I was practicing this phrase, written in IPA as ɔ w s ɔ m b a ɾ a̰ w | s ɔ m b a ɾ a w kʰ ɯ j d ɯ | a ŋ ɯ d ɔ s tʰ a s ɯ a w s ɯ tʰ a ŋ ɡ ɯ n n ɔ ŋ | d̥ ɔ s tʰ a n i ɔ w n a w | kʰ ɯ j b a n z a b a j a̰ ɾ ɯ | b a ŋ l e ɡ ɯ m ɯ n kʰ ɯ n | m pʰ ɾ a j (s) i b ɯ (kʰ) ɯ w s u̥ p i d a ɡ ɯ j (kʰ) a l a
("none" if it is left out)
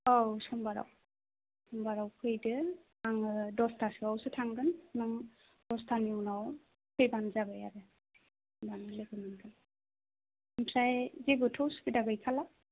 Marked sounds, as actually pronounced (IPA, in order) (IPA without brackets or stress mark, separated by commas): z, tʰ, kʰ